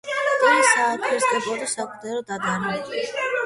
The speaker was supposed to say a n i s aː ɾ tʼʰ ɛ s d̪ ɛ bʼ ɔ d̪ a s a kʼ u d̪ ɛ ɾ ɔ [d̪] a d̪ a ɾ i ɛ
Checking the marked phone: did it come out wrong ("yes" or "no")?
no